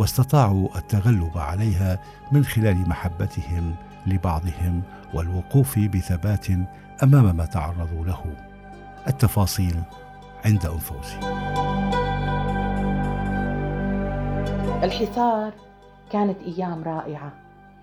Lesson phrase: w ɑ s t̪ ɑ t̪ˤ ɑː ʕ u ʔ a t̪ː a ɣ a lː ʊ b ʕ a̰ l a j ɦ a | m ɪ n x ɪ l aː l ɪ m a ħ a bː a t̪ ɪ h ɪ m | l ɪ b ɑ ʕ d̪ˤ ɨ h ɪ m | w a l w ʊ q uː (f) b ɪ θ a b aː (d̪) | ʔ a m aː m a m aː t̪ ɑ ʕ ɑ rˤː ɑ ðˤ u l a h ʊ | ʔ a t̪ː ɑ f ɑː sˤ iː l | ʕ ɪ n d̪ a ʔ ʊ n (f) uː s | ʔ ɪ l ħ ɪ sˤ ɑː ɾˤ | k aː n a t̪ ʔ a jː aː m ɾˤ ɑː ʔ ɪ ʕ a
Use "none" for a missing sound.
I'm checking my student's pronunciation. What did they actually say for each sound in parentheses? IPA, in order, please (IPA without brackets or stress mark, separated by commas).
f, t̪, f